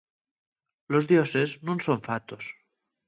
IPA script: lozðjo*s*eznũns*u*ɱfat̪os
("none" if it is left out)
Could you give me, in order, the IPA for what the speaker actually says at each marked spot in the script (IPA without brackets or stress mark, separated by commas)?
s, o